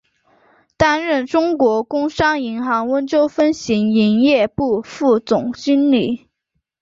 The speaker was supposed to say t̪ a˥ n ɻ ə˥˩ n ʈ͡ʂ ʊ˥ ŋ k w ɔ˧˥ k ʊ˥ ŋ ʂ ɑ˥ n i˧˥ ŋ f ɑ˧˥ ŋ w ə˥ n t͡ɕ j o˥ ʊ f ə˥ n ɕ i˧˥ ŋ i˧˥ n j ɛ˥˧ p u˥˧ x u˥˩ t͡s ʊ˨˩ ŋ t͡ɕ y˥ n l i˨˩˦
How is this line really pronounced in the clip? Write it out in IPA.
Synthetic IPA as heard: t̪ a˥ n ɻ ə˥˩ n ʈ͡ʂ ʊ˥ ŋ k w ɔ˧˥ k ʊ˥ ŋ ʂ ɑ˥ ŋ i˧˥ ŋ x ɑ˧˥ ŋ w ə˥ n t͡ɕ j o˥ ʊ f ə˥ n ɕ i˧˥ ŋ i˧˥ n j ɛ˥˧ p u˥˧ f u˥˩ t͡s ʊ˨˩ ŋ t͡ɕ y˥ n l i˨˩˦